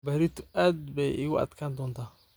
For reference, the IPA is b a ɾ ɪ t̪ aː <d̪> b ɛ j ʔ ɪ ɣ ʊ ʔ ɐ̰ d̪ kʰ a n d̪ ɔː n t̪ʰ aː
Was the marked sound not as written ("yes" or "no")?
no